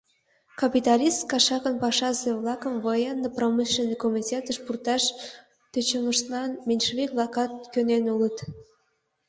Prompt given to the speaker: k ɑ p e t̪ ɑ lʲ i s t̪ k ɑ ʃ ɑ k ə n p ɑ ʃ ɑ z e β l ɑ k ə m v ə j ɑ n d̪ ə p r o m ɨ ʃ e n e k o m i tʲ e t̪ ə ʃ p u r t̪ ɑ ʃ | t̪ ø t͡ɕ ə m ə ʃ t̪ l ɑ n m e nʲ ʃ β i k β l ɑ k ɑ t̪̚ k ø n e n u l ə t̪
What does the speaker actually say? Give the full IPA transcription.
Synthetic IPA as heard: k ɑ p i t̪ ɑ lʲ i s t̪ k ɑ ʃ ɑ k ə n p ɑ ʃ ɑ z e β l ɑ k ə m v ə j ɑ n d̪ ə p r o m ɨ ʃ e n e k o m i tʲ e t̪ ə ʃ p u r t̪ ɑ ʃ | t̪ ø t͡ɕ ə m ə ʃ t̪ l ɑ n m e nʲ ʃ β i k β l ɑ k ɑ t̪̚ k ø n e n u l ə t̪